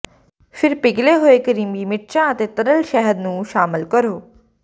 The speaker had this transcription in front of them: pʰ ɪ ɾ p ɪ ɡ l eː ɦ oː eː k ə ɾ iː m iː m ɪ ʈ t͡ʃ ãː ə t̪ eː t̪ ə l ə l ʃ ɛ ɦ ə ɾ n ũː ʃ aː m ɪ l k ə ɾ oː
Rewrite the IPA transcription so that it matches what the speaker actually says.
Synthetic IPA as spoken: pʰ ɪ ɾ p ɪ ɡ l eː ɦ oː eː k ə ɾ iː m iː m ɪ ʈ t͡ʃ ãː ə t̪ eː t̪ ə ɾ ə l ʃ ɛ ɦ ə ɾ n ũː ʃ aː m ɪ l k ə ɾ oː